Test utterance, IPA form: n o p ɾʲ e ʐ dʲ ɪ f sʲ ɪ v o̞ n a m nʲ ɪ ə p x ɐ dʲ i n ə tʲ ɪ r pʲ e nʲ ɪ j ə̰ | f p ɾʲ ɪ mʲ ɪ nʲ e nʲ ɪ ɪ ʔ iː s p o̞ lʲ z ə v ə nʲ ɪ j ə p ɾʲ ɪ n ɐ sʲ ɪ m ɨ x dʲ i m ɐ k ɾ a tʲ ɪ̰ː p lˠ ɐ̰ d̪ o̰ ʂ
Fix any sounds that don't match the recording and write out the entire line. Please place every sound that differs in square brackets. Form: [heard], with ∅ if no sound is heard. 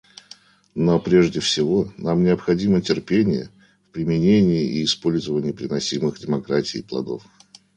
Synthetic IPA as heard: n o p ɾʲ e ʐ dʲ ɪ f sʲ ɪ v o̞ n a m nʲ ɪ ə p x ɐ dʲ i [m] ə tʲ ɪ r pʲ e nʲ ɪ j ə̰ | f p ɾʲ ɪ mʲ ɪ nʲ e nʲ ɪ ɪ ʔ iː s p o̞ lʲ z ə v ə nʲ ɪ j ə p ɾʲ ɪ n ɐ sʲ [i] m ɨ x dʲ [ɪ] m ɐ k ɾ a tʲ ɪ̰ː p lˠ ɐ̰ d̪ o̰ [f]

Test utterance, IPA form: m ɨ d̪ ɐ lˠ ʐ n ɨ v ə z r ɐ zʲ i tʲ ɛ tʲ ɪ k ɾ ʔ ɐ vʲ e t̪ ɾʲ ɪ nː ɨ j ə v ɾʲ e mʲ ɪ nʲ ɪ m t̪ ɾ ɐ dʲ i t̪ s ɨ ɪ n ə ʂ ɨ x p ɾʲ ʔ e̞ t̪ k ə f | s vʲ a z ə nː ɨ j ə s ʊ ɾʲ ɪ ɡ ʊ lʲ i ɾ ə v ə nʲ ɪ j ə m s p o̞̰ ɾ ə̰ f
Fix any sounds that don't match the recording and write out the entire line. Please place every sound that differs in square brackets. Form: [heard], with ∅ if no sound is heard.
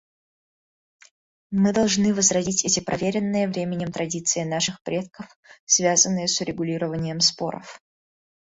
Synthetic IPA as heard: m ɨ d̪ ɐ lˠ ʐ n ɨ v ə z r ɐ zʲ i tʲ ɛ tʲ ɪ [p] ɾ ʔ ɐ vʲ e [∅] ɾʲ ɪ nː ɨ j ə v ɾʲ e mʲ ɪ nʲ ɪ m t̪ ɾ ɐ dʲ i t̪ s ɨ ɪ n [a] ʂ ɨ x p ɾʲ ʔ e̞ t̪ k ə f | s vʲ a z ə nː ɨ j ə s ʊ ɾʲ ɪ ɡ ʊ lʲ i ɾ ə v ə nʲ ɪ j ə m s p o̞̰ ɾ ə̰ f

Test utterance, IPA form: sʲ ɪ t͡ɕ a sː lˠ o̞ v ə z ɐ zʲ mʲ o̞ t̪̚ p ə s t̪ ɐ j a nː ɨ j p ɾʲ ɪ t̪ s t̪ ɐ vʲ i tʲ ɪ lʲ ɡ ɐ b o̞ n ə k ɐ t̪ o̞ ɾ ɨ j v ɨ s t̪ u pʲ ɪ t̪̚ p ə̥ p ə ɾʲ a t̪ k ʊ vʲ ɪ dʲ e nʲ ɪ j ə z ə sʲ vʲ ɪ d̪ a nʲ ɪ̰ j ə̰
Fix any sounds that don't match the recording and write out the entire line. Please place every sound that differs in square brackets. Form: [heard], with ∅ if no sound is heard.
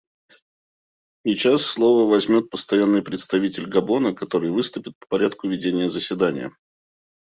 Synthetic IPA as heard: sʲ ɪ t͡ɕ a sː lˠ o̞ v ə [v] ɐ zʲ mʲ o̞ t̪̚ p ə s t̪ ɐ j a nː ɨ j p ɾʲ ɪ t̪ s t̪ ɐ vʲ i tʲ ɪ lʲ ɡ ɐ b o̞ n ə k ɐ t̪ o̞ ɾ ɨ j v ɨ s t̪ [ʊ] pʲ ɪ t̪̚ p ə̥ p [ɐ] ɾʲ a t̪ k ʊ vʲ ɪ dʲ e nʲ ɪ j ə z ə sʲ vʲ ɪ d̪ a nʲ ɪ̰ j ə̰

